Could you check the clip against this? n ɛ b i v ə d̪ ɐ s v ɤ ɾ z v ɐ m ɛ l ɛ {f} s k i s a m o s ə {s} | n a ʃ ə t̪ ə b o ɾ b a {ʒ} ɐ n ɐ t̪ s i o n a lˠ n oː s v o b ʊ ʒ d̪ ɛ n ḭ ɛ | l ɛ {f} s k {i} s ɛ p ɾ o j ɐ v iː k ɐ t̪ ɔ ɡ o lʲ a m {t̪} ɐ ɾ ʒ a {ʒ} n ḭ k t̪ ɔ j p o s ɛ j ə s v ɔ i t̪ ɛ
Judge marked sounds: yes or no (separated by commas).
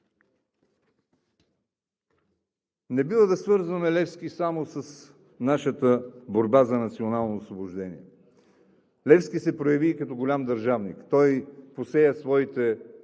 yes, yes, no, yes, yes, no, no